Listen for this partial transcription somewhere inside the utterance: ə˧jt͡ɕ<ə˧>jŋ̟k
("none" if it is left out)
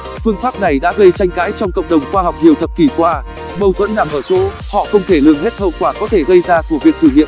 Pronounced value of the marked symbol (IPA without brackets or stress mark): a˧